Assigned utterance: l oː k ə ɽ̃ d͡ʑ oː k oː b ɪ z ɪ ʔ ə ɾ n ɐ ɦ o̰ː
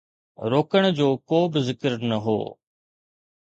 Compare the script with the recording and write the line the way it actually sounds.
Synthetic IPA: ɾ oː k ə ɽ̃ d͡ʑ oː k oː b ɪ z ɪ k ə ɾ n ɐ ɦ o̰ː